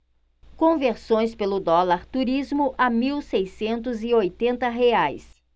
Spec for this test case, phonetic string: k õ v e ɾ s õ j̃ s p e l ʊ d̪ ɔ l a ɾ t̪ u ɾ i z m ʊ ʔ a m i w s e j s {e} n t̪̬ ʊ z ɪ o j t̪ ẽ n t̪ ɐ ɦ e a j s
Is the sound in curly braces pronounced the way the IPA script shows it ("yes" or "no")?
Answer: no